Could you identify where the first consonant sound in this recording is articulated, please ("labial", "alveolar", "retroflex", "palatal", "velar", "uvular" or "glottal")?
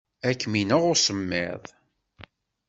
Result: velar